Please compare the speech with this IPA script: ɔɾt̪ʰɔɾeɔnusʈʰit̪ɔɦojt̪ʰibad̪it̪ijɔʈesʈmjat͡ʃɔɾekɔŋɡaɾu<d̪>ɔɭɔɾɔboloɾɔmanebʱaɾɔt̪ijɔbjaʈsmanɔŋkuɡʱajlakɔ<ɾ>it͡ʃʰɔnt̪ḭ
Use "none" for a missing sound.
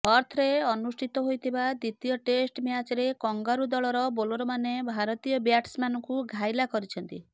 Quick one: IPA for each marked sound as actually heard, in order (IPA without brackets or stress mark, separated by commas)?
d̪, ɾ